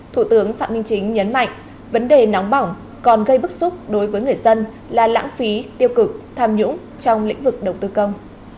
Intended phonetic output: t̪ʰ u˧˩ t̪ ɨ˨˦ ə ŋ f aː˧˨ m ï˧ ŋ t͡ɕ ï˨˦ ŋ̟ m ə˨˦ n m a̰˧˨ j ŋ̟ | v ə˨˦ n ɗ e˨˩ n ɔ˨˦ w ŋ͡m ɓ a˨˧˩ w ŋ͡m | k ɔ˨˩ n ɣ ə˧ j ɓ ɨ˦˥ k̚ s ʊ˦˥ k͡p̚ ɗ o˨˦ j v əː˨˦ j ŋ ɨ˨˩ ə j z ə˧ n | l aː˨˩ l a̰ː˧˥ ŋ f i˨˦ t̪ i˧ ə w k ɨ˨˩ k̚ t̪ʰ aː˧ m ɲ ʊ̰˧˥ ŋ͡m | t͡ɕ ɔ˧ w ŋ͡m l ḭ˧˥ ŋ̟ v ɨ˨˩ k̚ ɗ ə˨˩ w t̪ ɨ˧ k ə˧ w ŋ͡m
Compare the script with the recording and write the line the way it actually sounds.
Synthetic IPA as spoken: t̪ʰ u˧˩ t̪ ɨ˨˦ ə ŋ f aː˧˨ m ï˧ ŋ t͡ɕ ï˨˦ ŋ̟ ɲ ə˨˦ n m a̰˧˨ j ŋ̟ | v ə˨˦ n ɗ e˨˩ n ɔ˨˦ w ŋ͡m ɓ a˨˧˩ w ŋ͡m | k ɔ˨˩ n ɣ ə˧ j ɓ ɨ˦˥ k̚ s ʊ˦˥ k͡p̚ ɗ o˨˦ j v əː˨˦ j ŋ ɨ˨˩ ə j z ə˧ n | l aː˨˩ l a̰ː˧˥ ŋ f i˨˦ t̪ i˧ ə w k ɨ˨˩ k̚ t̪ʰ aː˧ m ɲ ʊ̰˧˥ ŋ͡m | t͡ɕ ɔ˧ w ŋ͡m l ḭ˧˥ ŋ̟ v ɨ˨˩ k̚ ɗ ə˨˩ w t̪ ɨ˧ k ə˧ w ŋ͡m